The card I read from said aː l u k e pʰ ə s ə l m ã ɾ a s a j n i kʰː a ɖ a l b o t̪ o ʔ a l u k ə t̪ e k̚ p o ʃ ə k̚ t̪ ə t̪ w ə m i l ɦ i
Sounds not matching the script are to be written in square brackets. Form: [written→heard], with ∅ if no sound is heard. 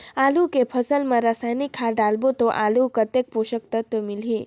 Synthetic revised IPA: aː l u k e pʰ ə s ə l m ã ɾ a s a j n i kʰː a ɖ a l b o t̪ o ʔ a l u k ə t̪ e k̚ p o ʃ ə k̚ t̪ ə t̪ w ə m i l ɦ i